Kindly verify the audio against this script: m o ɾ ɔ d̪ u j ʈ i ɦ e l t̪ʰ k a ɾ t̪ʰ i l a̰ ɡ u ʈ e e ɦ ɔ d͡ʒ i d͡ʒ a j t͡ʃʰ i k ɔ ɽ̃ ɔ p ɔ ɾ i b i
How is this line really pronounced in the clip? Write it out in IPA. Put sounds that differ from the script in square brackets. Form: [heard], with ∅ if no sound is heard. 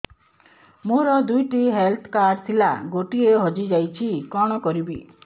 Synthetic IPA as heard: m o ɾ ɔ d̪ u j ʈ i ɦ e l t̪ʰ k a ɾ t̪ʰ i l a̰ ɡ [o] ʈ [i] e ɦ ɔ d͡ʒ i d͡ʒ a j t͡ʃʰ i k ɔ ɽ̃ ɔ [k] ɔ ɾ i b i